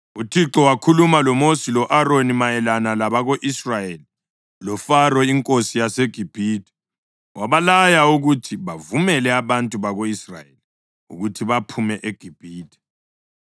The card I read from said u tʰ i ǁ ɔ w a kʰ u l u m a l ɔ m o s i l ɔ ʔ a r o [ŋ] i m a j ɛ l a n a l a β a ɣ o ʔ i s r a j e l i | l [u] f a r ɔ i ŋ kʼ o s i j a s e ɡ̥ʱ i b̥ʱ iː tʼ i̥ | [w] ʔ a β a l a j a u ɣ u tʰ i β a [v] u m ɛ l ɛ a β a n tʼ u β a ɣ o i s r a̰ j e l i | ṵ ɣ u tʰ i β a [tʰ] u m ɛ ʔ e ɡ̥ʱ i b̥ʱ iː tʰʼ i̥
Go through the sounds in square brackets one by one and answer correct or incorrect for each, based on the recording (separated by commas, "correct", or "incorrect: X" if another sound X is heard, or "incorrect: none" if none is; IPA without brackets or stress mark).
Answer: incorrect: n, incorrect: ɔ, correct, correct, incorrect: pʰ